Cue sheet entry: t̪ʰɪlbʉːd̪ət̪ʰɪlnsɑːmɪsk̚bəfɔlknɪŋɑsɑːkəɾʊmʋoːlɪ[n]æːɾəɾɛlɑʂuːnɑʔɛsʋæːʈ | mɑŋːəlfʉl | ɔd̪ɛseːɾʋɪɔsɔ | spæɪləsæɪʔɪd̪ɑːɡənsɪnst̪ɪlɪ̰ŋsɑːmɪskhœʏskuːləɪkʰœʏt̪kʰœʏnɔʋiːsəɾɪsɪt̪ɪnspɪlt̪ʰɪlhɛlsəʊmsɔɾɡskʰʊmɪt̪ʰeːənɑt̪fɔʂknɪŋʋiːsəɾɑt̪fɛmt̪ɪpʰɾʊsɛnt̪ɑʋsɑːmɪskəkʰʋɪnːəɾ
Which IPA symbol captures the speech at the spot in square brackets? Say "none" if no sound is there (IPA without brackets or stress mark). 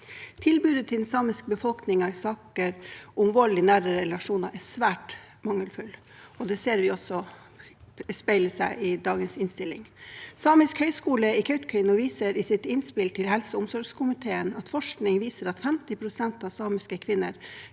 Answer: n